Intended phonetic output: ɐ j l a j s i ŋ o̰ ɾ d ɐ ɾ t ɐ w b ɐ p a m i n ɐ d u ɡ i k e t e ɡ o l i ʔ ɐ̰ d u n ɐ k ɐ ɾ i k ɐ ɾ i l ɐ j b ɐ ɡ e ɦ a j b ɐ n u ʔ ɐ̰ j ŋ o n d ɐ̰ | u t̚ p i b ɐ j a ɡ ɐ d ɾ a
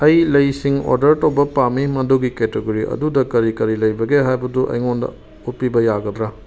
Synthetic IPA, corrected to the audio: ɐ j l ɐ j s i ŋ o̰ ɾ d ɐ ɾ t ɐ w b ɐ p a m i m ɐ d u ɡ i k e t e ɡ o ɾ i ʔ ɐ̰ d u d ɐ k ɐ ɾ i k ɐ ɾ i l ɐ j b ɐ ɡ e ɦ a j b ɐ d u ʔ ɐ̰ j ŋ o n d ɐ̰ | u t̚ p i b ɐ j a ɡ ɐ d ɾ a